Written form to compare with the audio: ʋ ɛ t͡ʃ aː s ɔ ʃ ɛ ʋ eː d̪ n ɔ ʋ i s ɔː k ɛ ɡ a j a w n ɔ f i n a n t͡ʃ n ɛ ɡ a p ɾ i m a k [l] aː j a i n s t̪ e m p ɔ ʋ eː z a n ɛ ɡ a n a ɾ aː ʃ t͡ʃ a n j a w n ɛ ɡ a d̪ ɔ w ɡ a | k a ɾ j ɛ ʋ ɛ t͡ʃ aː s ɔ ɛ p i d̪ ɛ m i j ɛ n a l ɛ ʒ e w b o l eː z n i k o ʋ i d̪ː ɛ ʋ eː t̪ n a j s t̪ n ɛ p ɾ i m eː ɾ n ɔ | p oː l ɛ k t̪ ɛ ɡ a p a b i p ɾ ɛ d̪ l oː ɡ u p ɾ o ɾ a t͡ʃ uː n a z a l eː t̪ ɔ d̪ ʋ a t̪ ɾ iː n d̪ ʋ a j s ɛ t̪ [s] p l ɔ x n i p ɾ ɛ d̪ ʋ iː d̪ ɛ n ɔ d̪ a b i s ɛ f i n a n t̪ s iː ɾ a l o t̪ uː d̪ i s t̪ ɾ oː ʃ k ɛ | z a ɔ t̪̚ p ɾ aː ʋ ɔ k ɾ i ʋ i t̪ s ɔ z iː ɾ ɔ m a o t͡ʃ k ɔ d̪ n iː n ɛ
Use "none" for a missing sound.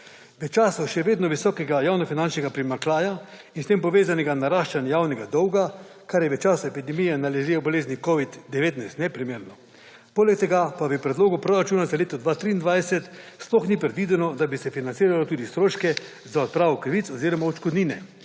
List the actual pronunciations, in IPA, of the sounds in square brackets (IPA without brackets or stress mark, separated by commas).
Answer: l, s